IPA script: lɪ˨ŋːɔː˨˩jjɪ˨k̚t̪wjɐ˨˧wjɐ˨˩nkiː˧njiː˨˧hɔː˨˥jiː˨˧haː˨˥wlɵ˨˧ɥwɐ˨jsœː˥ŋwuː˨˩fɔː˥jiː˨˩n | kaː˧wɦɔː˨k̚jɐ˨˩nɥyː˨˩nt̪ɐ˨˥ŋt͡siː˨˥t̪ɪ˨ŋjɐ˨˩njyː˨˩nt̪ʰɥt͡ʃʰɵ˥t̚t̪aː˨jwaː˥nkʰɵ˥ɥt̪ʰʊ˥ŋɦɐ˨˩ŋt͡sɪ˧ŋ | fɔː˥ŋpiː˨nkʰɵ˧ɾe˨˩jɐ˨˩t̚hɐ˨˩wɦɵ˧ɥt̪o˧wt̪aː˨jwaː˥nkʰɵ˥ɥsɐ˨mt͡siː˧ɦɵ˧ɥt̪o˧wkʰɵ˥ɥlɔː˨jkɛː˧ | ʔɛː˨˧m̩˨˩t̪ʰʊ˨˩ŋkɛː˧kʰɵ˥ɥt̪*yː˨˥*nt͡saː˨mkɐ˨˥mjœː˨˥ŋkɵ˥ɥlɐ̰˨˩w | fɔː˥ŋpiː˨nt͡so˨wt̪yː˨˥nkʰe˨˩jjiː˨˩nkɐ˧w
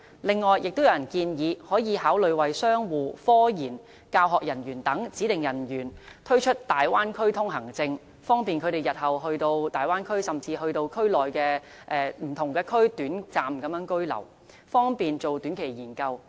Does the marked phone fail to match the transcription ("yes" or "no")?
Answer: no